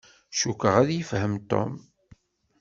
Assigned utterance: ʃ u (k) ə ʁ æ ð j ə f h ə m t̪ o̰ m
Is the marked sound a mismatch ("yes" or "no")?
no